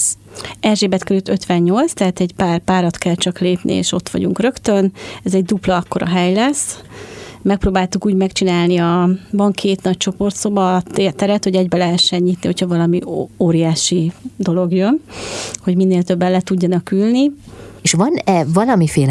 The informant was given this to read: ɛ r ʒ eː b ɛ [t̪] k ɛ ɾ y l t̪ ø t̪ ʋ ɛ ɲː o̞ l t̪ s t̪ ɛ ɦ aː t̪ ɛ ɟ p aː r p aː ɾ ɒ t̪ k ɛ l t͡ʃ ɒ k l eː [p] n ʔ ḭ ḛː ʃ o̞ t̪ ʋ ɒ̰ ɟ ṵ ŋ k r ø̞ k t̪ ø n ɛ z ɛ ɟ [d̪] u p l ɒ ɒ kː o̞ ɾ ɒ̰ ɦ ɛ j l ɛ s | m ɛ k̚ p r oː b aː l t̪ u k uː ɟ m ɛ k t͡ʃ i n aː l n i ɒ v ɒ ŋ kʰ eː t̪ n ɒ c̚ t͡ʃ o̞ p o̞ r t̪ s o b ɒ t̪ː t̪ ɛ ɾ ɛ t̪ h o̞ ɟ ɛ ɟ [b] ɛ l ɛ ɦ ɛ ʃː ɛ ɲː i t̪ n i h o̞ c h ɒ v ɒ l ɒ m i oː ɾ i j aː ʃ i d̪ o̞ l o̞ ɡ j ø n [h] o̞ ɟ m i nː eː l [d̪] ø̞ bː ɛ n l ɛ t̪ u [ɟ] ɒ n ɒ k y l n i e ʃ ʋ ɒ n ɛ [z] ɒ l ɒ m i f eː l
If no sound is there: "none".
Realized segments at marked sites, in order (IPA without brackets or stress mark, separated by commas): t̪, p, d̪, b, h, t̪, ɟː, v